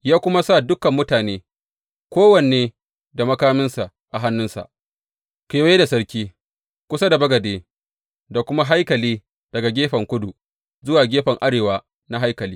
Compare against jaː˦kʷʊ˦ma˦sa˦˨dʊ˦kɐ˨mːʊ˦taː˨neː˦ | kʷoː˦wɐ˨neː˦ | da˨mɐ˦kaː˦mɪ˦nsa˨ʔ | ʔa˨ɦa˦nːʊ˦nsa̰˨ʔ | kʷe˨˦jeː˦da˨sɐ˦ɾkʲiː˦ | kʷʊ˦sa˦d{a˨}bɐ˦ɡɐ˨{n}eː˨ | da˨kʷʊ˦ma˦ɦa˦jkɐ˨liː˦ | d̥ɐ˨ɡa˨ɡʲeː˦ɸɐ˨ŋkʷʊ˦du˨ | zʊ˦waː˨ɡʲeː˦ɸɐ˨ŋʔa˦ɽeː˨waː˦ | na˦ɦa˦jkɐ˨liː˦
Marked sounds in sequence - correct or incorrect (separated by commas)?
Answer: correct, incorrect